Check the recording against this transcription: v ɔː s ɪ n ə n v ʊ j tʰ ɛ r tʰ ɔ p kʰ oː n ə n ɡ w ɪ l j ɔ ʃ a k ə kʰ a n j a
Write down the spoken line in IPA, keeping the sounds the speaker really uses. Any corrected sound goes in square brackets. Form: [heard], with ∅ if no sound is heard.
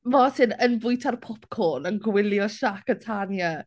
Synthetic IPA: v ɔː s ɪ n ə n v ʊ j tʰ [a] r [pʰ] ɔ p kʰ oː n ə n ɡ w ɪ l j ɔ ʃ a k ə [tʰ] a n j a